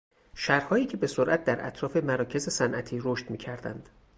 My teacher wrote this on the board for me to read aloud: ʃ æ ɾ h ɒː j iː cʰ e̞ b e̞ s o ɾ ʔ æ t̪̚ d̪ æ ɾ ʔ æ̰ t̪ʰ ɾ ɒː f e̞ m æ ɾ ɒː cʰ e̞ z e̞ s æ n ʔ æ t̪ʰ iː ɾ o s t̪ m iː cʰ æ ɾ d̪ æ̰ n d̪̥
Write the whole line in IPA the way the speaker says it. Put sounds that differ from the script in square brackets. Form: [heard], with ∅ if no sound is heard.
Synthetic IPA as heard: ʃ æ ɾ h ɒː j iː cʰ e̞ b e̞ s o ɾ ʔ æ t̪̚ d̪ æ ɾ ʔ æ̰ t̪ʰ ɾ ɒː f e̞ m æ ɾ ɒː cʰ e̞ z e̞ s æ n ʔ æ t̪ʰ iː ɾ o [ʃ] t̪ m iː cʰ æ ɾ d̪ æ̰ n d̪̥